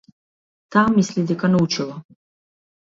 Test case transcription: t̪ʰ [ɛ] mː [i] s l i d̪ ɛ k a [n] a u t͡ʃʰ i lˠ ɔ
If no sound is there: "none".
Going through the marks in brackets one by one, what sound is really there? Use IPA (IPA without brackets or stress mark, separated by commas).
a, i, n